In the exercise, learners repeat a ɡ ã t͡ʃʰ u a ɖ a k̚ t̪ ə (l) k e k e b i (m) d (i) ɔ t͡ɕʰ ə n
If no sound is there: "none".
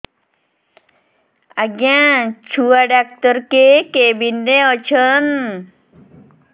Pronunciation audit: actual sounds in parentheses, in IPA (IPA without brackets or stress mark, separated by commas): ɾ, n, e